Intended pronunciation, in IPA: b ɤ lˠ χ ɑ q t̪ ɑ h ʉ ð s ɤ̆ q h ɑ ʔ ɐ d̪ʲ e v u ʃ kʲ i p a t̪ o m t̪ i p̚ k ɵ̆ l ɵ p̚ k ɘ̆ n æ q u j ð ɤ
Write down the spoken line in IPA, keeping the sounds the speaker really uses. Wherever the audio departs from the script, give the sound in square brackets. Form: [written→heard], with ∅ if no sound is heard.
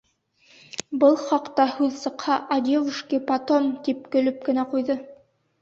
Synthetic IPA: b ɤ lˠ χ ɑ q t̪ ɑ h ʉ ð s ɤ̆ q h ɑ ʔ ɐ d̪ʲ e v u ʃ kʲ i p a t̪ o m t̪ i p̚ k ɵ̆ l ɵ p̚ k ɘ̆ n æ q u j ð ɤ